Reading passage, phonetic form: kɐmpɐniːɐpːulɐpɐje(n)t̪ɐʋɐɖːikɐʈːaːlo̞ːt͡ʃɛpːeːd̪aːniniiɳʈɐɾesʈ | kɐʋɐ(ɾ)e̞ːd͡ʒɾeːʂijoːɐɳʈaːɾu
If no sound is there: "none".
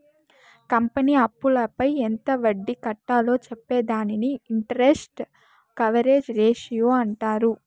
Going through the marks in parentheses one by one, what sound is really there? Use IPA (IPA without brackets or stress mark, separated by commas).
n, ɾ